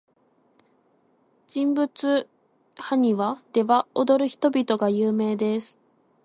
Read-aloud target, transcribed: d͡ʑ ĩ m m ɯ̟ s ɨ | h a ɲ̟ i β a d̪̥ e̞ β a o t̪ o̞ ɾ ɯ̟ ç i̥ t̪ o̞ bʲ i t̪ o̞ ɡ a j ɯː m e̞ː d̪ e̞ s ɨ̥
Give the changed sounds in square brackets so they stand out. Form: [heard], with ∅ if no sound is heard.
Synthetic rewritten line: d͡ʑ ĩ m [b] ɯ̟ [t͡s] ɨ | h a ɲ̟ i β a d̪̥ e̞ β a o [d̪] o̞ ɾ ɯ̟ ç i̥ t̪ o̞ bʲ i t̪ o̞ ɡ a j ɯː m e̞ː d̪ e̞ s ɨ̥

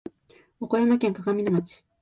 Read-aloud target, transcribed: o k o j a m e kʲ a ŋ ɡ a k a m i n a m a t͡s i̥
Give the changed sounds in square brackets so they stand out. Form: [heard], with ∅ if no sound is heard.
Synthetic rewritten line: o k o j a m [a] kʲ a ŋ [k] a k a m i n a m a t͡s i̥

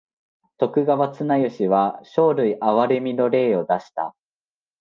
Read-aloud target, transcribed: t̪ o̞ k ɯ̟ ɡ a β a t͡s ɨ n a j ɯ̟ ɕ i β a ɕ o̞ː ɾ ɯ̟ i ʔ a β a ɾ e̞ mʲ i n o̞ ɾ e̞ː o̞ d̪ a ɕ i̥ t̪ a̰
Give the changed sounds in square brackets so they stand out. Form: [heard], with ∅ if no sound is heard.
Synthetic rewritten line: t̪ o̞ k ɯ̟ ɡ a β a t͡s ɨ n a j ɯ̟ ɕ i β a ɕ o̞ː ɾ ɯ̟ i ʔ a β a ɾ e̞ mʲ i n o̞ ɾ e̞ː o̞ d̪ a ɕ i̥ t̪ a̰

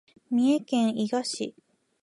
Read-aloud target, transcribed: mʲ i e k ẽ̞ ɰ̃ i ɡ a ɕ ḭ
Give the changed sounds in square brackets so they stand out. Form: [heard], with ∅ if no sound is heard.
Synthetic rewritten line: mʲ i e k ẽ̞ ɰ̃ i ɡ a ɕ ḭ

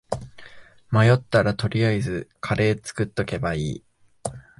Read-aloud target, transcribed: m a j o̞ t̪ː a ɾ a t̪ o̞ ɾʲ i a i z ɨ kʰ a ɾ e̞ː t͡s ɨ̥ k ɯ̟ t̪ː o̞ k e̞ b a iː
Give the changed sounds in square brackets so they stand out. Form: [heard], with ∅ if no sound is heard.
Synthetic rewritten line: m a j o̞ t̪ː a ɾ a t̪ o̞ ɾʲ i a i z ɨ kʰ a ɾ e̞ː t͡s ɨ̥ k ɯ̟ t̪ː o̞ k e̞ b a iː

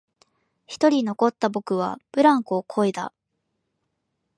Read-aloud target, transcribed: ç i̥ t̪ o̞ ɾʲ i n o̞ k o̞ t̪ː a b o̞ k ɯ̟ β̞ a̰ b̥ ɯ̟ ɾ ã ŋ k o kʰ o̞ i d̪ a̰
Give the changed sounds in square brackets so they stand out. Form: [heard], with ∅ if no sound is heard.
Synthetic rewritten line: ç i̥ t̪ o̞ ɾʲ i n o̞ k o̞ t̪ː a b o̞ k ɯ̟ β̞ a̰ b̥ ɯ̟ ɾ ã ŋ k o kʰ o̞ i d̪ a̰

